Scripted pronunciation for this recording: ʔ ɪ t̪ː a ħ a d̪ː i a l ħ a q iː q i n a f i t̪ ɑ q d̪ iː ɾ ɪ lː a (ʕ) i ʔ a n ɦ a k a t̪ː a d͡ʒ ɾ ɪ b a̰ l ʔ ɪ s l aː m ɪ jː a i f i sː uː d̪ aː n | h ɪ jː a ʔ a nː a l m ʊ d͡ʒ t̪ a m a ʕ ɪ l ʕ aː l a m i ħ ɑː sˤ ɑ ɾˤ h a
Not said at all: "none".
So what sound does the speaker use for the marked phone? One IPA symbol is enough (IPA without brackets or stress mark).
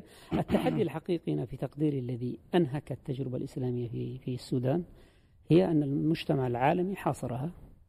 ð